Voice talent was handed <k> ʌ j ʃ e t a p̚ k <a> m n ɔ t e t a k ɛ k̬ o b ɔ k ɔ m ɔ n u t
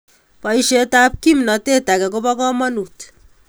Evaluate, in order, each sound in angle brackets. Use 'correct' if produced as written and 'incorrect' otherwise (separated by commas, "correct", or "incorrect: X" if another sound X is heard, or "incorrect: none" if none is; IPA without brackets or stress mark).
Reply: incorrect: p, incorrect: i